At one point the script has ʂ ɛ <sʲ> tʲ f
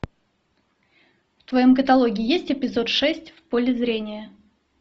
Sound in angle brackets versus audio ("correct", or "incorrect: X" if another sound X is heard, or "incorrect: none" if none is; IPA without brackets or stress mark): correct